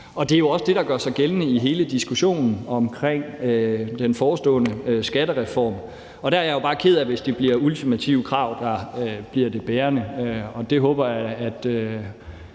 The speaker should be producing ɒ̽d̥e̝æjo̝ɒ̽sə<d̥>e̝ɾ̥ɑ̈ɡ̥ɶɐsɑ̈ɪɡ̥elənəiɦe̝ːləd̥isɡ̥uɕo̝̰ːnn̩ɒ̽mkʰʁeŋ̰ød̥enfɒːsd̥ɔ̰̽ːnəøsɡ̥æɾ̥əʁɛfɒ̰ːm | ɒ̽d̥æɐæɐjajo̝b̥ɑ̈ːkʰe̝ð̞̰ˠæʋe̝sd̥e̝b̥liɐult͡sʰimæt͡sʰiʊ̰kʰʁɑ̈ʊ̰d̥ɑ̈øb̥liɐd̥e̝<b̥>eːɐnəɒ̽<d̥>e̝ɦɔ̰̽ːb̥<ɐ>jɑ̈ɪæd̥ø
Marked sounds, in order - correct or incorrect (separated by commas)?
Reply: correct, correct, correct, correct